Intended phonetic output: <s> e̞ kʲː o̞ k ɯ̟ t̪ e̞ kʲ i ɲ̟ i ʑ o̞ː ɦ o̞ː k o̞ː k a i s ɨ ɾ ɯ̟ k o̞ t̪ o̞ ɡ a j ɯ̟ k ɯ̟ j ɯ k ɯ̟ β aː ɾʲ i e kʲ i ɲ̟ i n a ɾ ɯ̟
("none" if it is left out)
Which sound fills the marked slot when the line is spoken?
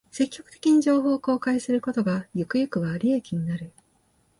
s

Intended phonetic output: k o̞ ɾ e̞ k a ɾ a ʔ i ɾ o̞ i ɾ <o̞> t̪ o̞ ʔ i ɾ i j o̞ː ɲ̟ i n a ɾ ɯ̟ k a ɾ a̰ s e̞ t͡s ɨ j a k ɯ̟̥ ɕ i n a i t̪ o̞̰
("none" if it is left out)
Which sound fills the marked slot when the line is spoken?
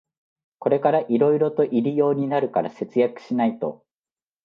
o̞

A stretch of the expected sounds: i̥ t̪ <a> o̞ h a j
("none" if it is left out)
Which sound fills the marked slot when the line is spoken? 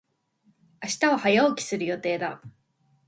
a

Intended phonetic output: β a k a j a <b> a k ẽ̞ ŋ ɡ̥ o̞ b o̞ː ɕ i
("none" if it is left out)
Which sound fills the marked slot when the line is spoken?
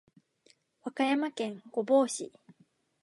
m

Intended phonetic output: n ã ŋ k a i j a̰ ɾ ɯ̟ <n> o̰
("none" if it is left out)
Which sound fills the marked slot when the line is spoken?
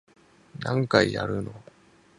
n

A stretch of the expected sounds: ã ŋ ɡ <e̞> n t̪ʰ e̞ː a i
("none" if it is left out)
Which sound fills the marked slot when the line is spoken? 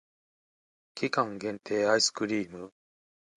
ẽ̞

